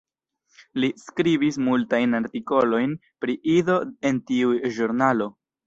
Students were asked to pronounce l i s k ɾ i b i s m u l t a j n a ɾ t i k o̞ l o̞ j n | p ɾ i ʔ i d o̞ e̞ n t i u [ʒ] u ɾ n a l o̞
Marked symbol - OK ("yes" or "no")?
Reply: yes